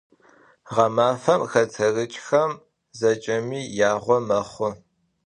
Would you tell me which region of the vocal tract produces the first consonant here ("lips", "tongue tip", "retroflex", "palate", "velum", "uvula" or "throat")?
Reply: uvula